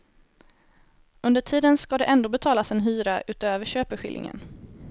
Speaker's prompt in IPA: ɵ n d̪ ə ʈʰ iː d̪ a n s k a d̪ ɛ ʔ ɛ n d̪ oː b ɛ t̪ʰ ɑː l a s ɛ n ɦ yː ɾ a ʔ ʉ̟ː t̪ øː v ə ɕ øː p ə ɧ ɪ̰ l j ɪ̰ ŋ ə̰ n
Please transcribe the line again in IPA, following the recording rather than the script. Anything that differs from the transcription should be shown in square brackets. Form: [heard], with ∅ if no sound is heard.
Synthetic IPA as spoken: ɵ n d̪ ə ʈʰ iː d̪ [ə] n s k a d̪ ɛ ʔ ɛ n d̪ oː b ɛ t̪ʰ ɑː l a s ɛ n ɦ yː ɾ a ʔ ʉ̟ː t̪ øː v ə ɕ øː p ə ɧ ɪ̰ l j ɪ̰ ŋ ə̰ n